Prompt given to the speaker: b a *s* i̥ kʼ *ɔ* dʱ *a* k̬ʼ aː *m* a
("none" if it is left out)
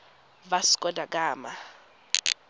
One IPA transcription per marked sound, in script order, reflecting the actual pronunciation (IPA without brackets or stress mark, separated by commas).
s, ɔ, a, m